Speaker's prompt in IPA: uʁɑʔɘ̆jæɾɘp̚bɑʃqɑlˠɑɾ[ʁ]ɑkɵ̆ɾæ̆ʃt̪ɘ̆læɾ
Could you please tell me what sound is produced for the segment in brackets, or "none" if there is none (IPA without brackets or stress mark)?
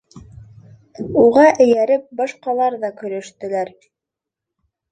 ð